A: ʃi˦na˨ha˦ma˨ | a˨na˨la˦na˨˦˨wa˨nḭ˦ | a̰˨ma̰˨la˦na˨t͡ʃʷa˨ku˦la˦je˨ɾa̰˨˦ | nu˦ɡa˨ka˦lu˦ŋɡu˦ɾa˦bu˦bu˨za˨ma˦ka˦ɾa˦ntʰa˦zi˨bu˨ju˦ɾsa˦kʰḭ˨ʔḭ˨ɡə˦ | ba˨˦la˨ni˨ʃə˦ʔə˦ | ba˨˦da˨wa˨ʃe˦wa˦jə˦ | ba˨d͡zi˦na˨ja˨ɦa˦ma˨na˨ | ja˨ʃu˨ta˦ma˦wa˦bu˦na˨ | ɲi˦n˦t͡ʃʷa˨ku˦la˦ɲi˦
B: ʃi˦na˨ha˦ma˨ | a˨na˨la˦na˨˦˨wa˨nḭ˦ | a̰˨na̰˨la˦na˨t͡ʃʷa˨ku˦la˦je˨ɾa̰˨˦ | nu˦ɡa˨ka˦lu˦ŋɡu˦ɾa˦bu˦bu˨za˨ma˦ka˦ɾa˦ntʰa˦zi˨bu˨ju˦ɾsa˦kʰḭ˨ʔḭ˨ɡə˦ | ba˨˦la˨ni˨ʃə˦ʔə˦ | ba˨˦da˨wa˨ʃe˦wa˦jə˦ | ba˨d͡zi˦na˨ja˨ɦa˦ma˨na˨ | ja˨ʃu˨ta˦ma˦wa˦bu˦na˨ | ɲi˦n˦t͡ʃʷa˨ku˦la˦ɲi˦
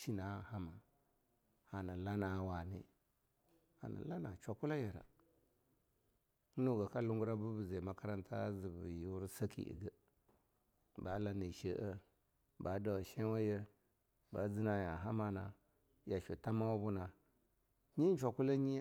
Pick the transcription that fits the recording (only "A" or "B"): B